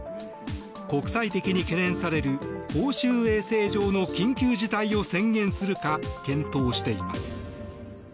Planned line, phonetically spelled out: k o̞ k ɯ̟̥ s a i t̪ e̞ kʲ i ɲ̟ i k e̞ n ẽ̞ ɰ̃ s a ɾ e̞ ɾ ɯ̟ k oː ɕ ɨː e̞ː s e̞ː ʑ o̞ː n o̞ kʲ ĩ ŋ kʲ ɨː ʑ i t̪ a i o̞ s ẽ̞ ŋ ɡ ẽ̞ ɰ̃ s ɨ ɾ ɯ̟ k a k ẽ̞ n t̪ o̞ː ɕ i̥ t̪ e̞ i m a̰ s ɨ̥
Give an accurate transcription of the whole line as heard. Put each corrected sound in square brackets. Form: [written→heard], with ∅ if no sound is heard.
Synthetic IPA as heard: k o̞ k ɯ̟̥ s a i t̪ e̞ kʲ i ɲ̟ i k e̞ n ẽ̞ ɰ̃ s a ɾ e̞ ɾ ɯ̟ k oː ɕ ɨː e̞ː s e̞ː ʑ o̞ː n o̞ kʲ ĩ ŋ kʲ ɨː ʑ i t̪ a i o̞ s ẽ̞ ŋ ɡ ẽ̞ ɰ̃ s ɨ ɾ ɯ̟ k a k ẽ̞ n t̪ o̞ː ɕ i̥ t̪ e̞ i m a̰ s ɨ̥

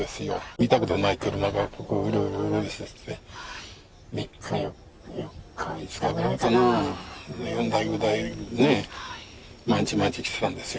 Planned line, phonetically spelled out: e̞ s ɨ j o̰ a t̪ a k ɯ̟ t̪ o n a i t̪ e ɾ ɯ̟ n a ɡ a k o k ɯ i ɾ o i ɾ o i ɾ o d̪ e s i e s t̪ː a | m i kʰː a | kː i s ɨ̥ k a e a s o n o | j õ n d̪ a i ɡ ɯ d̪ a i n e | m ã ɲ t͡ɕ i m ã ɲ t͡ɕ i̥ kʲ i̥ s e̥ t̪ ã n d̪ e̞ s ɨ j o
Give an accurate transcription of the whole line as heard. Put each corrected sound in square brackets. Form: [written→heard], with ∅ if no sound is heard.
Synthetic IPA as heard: e̞ s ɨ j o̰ [a→i] t̪ a k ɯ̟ t̪ o n a i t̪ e ɾ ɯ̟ n a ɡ a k o k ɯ i ɾ o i ɾ o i ɾ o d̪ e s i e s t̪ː [a→e] | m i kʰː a | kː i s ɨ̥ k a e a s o n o | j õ n d̪ a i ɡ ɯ d̪ a i n e | m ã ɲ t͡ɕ i m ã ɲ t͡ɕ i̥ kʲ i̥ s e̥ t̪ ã n d̪ e̞ s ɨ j o

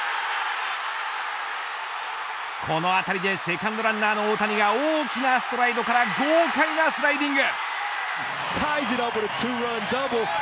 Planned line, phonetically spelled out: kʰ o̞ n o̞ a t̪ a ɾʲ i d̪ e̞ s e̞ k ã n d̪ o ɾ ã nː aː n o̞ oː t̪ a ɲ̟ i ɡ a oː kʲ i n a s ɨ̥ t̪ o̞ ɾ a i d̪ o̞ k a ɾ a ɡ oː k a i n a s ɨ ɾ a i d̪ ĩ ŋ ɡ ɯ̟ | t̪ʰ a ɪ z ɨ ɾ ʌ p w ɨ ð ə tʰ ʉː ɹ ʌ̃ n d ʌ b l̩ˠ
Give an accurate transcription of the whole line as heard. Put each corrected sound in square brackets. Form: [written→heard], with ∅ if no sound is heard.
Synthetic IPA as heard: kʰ o̞ n o̞ a t̪ a ɾʲ i d̪ e̞ s e̞ k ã n d̪ o ɾ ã nː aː n o̞ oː t̪ a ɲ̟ i ɡ a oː kʲ i n a s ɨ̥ t̪ o̞ ɾ a i d̪ o̞ k a ɾ a ɡ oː k a i n a s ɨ ɾ a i d̪ ĩ ŋ ɡ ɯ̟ | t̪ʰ a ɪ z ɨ ɾ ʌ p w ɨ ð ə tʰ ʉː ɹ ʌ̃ n d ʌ b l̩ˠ

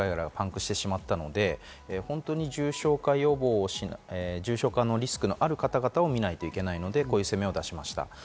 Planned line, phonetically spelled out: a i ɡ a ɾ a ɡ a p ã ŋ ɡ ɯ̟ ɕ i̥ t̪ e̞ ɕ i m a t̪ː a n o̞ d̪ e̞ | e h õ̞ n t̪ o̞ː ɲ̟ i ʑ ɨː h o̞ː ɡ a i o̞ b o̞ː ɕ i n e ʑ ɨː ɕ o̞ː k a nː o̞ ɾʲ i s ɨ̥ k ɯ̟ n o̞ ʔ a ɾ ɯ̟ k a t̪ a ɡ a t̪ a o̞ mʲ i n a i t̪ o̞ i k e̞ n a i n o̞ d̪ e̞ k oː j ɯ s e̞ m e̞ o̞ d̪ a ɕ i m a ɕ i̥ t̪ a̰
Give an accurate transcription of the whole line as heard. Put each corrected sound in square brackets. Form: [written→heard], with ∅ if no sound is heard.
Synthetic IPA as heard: a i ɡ a ɾ a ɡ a p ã ŋ [ɡ→k] ɯ̟ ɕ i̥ t̪ e̞ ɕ i m a t̪ː a n o̞ d̪ e̞ | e h õ̞ n t̪ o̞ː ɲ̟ i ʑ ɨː [h→ɕ] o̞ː [ɡ→k] a i o̞ b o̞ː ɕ i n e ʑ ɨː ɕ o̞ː k a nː o̞ ɾʲ i s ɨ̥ k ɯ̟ n o̞ ʔ a ɾ ɯ̟ k a t̪ a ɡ a t̪ a o̞ mʲ i n a i t̪ o̞ i k e̞ n a i n o̞ d̪ e̞ k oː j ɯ s e̞ m e̞ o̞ d̪ a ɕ i m a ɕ i̥ t̪ a̰

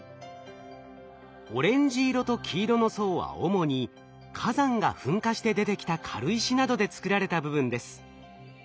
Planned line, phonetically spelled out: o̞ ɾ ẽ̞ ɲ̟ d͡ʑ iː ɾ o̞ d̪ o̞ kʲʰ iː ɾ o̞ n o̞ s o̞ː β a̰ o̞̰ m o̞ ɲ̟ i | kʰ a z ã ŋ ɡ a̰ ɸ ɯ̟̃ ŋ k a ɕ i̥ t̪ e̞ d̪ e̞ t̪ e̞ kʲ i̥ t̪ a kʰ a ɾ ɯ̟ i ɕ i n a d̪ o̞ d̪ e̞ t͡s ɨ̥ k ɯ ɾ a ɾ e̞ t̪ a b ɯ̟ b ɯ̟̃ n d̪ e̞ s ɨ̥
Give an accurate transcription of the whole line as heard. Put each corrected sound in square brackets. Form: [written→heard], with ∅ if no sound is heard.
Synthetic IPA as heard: o̞ ɾ ẽ̞ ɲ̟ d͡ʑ iː ɾ o̞ [d̪→t̪] o̞ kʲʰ iː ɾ o̞ n o̞ s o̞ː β a̰ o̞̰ m o̞ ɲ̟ i | kʰ a z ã ŋ ɡ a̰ ɸ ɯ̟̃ ŋ k a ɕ i̥ t̪ e̞ d̪ e̞ t̪ e̞ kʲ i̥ t̪ a kʰ a ɾ ɯ̟ i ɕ i n a d̪ o̞ d̪ e̞ t͡s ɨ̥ k ɯ ɾ a ɾ e̞ t̪ a b ɯ̟ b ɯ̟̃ n d̪ e̞ s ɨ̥

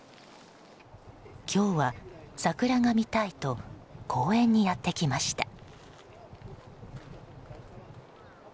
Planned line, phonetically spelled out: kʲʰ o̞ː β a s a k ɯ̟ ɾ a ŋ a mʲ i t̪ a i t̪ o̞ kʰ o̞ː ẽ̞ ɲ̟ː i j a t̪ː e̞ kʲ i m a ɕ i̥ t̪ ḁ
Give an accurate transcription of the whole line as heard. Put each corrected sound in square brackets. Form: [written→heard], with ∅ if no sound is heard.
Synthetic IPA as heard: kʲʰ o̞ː β a s a k ɯ̟ ɾ a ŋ a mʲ i t̪ a i t̪ o̞ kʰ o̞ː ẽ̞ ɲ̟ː i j a t̪ː e̞ kʲ i m a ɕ i̥ t̪ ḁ

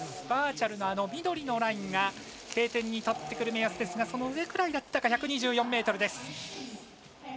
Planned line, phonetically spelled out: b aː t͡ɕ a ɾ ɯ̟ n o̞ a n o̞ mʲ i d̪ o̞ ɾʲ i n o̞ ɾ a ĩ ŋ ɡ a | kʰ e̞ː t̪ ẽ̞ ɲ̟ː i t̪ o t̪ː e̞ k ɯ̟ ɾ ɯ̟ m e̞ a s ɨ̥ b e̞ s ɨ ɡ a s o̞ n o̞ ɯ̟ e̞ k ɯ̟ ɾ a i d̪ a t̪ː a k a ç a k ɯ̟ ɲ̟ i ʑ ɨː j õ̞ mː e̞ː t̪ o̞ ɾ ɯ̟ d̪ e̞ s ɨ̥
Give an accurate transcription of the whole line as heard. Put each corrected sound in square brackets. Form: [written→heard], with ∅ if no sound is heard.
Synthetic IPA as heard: b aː t͡ɕ a ɾ ɯ̟ n o̞ a n o̞ mʲ i d̪ o̞ ɾʲ i n o̞ ɾ a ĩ ŋ ɡ a | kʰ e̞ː t̪ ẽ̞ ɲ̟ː i t̪ o t̪ː e̞ k ɯ̟ ɾ ɯ̟ m e̞ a s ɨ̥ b e̞ s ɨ ɡ a s o̞ n o̞ ɯ̟ e̞ k ɯ̟ ɾ a i d̪ a t̪ː a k a ç a k ɯ̟ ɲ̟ i ʑ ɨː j õ̞ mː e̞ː t̪ o̞ ɾ ɯ̟ d̪ e̞ s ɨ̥

